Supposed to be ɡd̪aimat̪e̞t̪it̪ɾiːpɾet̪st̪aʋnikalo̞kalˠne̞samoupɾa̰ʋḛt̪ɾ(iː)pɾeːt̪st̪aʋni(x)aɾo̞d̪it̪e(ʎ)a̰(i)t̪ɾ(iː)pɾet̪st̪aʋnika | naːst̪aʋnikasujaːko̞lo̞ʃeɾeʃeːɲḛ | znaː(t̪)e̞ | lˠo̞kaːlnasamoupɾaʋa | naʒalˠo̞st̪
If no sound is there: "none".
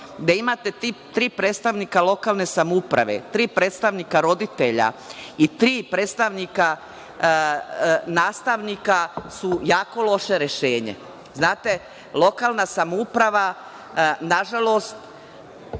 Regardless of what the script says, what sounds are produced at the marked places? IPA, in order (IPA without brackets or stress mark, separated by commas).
iː, k, ʎ, i, iː, t̪